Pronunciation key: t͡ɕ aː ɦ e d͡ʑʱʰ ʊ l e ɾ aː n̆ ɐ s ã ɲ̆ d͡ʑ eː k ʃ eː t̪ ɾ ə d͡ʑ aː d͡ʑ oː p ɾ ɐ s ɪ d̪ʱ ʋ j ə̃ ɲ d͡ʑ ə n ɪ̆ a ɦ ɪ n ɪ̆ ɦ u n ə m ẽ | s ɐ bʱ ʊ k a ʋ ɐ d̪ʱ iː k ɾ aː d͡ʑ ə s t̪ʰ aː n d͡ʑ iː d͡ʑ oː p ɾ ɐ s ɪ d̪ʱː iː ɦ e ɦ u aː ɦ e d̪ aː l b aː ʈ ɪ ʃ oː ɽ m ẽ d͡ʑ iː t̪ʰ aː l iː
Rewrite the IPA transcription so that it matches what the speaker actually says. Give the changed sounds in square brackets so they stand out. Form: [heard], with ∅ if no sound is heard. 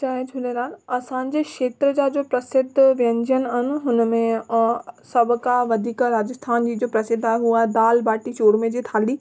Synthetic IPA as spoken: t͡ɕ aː ɦ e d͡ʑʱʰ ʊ l e ɾ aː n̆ ɐ s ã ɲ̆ d͡ʑ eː k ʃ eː t̪ ɾ ə d͡ʑ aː d͡ʑ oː p ɾ ɐ s ɪ d̪ʱ ʋ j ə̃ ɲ d͡ʑ ə n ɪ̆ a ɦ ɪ n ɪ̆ ɦ [ʊ] n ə m ẽ | s ɐ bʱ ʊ k a ʋ ɐ d̪ʱ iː k ɾ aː d͡ʑ ə s t̪ʰ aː n d͡ʑ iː d͡ʑ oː p ɾ ɐ s ɪ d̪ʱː [aː] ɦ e ɦ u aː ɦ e d̪ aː l b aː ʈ [i] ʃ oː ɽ m ẽ d͡ʑ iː t̪ʰ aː l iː